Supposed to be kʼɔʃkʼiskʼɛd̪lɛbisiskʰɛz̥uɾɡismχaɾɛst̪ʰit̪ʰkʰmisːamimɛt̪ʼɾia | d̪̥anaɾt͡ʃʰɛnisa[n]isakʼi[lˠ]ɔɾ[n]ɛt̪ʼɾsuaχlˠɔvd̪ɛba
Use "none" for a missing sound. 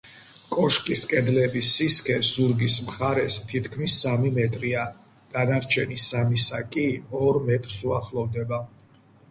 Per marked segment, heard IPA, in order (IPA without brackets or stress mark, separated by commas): m, none, m